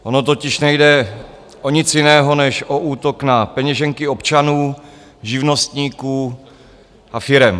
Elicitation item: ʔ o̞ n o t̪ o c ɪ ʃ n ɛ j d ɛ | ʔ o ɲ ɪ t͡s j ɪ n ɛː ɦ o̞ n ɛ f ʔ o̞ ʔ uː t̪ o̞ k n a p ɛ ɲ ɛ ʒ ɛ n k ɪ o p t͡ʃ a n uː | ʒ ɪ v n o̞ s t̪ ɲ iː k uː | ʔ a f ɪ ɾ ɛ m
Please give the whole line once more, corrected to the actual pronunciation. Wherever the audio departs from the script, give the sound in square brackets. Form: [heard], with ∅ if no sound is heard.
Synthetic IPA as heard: ʔ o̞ n o t̪ o c ɪ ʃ n ɛ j d ɛ | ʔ o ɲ ɪ t͡s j ɪ n ɛː ɦ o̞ n ɛ [ʃ] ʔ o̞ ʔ uː t̪ o̞ k n a p ɛ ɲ ɛ ʒ ɛ [ŋ] k ɪ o p t͡ʃ a n uː | ʒ ɪ v n o̞ s t̪ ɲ iː k uː | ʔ a f ɪ ɾ ɛ m